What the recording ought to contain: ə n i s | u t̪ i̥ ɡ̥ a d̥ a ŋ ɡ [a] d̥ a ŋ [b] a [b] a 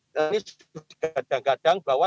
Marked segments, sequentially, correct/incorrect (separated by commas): correct, correct, incorrect